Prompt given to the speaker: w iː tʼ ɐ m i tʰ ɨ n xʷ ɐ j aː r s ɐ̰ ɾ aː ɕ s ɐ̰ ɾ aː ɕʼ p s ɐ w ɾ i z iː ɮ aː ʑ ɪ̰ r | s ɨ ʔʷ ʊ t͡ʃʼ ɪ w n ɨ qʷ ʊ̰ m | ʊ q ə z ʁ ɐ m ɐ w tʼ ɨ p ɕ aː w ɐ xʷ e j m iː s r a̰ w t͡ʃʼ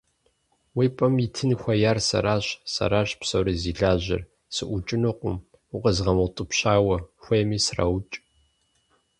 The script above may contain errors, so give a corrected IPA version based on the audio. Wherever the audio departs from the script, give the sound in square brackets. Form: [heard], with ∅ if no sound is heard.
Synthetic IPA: w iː [pʼ] ɐ m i tʰ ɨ n xʷ ɐ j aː r s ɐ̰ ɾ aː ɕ s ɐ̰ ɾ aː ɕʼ p s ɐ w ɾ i z iː ɮ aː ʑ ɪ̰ r | s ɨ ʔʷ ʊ t͡ʃʼ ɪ [∅] n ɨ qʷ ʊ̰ m | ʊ q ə z ʁ ɐ m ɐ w tʼ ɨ p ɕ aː w ɐ xʷ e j m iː s r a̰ w t͡ʃʼ